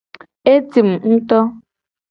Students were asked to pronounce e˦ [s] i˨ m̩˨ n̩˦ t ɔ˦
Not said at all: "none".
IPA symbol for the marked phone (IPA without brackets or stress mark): t